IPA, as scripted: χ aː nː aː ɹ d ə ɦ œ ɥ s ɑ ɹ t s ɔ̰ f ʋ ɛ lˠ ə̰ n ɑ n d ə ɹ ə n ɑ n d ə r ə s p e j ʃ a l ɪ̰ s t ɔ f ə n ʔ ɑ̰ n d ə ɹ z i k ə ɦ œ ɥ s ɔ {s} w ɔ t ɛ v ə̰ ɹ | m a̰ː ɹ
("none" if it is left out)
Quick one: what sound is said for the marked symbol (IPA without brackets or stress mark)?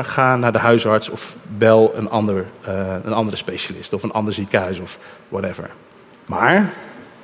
f